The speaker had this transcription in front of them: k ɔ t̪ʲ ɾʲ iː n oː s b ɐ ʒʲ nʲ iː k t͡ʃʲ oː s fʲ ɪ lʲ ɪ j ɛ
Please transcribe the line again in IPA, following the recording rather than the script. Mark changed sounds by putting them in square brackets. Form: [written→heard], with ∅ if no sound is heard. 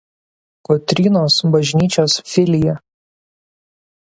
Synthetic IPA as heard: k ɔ t̪ʲ ɾʲ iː n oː s b ɐ ʒʲ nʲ iː [k→∅] t͡ʃʲ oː s fʲ ɪ lʲ ɪ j ɛ

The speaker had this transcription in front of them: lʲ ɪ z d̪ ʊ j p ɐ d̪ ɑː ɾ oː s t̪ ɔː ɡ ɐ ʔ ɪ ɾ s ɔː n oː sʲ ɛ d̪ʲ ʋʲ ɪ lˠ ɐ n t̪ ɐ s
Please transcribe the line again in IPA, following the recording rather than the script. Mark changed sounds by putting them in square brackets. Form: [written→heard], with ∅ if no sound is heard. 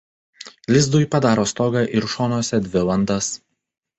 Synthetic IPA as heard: lʲ ɪ z d̪ ʊ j p ɐ d̪ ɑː ɾ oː s t̪ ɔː ɡ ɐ ʔ ɪ ɾ [s→ʃ] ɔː n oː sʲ ɛ d̪ʲ ʋʲ ɪ lˠ ɐ n [t̪→d̪] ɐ s

